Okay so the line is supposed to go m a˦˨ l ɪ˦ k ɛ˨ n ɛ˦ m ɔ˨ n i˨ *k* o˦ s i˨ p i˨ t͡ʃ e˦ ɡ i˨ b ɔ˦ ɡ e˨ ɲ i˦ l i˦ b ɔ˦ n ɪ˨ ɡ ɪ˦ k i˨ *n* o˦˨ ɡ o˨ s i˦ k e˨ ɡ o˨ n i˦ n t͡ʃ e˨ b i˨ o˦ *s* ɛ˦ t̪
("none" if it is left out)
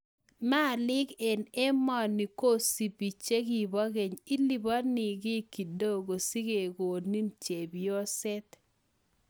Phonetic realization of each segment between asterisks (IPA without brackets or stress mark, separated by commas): k, d, s